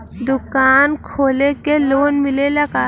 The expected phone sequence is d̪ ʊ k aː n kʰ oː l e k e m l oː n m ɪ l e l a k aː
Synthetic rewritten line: d̪ ʊ k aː n kʰ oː l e k e l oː n m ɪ l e l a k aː